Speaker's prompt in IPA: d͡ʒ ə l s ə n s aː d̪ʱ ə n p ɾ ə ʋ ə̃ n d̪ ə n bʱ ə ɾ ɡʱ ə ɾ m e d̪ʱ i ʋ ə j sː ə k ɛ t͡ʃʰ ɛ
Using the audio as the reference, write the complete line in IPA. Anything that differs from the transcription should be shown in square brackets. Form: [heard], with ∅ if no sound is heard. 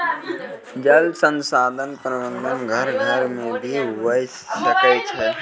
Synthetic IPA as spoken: d͡ʒ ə l s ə n s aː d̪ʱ ə n p ɾ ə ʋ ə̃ n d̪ ə n [ɡʱ] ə ɾ ɡʱ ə ɾ m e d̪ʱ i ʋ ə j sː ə k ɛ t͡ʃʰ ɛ